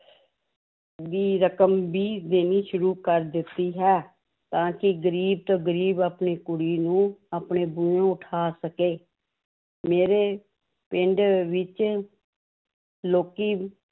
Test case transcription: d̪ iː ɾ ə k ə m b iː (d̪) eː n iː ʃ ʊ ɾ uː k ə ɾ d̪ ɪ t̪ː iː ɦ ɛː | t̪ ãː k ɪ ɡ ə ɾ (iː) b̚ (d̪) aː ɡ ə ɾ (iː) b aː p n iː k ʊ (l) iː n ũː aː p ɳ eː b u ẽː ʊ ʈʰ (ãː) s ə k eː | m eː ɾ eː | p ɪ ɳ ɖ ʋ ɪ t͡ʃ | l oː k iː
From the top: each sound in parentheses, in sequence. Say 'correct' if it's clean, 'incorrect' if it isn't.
correct, correct, incorrect, correct, incorrect, incorrect

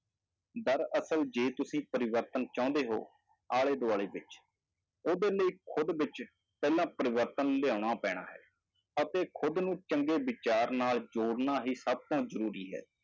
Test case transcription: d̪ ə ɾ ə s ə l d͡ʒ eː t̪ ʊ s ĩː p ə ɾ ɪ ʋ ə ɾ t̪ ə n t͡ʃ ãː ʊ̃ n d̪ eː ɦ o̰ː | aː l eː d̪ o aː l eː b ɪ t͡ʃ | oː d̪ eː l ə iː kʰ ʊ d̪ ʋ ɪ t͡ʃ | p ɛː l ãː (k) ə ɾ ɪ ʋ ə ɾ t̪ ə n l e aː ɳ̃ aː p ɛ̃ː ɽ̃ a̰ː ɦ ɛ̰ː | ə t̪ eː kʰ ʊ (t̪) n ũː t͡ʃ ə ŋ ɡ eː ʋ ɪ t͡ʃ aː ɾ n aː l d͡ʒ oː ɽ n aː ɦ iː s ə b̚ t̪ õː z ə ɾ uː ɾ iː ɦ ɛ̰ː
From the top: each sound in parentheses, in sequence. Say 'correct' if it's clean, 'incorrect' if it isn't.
incorrect, incorrect

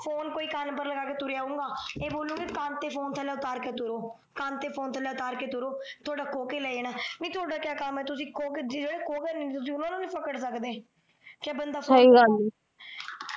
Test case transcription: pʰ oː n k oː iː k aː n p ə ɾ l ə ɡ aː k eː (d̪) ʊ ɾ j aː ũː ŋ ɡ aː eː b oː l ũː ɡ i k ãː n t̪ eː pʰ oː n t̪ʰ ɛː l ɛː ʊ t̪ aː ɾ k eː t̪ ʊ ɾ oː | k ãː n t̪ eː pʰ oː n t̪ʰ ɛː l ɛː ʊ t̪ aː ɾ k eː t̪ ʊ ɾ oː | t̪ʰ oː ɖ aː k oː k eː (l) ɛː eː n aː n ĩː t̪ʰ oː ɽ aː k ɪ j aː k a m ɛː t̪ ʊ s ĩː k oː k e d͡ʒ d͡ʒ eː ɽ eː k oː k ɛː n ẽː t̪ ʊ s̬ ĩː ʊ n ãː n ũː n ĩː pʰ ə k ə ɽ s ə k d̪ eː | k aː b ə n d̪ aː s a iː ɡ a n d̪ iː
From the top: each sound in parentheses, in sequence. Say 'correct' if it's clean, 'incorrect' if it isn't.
incorrect, correct

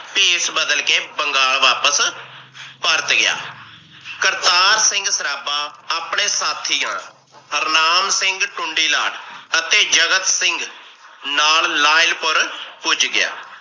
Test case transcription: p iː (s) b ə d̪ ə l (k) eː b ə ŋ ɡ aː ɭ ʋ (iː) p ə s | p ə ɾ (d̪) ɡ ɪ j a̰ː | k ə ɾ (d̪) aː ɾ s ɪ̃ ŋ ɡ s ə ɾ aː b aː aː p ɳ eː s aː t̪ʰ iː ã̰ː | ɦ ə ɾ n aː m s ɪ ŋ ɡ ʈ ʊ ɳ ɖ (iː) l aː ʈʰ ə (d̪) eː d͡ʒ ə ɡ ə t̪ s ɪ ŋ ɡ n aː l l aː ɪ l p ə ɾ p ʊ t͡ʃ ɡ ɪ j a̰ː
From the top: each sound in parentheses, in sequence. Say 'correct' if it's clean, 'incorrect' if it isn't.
correct, correct, incorrect, incorrect, incorrect, correct, incorrect

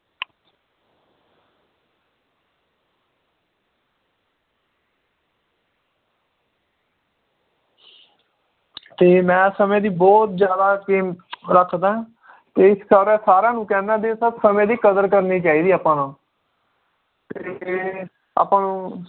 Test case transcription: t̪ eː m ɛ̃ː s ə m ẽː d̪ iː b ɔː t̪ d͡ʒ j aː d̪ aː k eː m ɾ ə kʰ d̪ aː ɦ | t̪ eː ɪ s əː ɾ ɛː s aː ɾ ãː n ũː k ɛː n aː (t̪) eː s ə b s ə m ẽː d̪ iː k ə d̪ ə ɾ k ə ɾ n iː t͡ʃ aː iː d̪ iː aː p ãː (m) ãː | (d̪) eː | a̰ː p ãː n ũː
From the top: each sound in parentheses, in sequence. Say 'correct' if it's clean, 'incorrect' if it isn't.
incorrect, incorrect, incorrect

